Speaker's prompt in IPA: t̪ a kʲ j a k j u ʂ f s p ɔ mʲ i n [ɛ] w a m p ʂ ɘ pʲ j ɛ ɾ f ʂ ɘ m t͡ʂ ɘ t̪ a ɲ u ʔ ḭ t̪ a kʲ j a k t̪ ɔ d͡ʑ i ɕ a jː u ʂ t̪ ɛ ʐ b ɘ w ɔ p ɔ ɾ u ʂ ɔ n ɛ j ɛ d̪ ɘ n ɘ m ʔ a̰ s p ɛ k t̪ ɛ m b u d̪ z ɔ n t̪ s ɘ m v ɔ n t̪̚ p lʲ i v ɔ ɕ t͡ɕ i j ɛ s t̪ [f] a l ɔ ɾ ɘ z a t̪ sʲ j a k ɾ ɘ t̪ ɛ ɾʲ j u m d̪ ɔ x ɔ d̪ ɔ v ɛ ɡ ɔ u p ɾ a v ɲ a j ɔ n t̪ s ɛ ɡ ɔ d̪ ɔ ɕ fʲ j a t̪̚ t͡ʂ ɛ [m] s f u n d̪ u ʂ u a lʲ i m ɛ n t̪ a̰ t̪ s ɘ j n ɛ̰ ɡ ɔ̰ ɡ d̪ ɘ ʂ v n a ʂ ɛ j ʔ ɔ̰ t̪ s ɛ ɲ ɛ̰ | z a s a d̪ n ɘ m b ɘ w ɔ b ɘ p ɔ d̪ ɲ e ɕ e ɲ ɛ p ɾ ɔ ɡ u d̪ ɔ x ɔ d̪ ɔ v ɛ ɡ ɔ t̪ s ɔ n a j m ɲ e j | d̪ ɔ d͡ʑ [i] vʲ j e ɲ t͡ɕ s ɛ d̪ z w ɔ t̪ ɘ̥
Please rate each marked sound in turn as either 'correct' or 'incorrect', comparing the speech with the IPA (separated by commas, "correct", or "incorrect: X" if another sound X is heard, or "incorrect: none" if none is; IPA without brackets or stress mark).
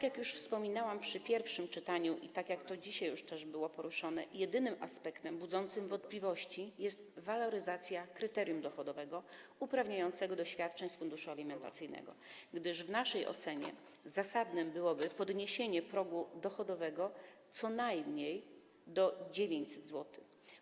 incorrect: a, incorrect: v, incorrect: ɲ, incorrect: e